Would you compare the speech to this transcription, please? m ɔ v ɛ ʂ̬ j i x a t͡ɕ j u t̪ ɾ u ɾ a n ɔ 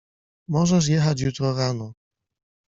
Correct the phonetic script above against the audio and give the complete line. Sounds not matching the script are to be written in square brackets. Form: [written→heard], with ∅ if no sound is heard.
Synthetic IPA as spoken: m ɔ [v→ʐ] ɛ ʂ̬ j [i→ɛ] x a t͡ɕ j u t̪ ɾ [u→ɔ] ɾ a n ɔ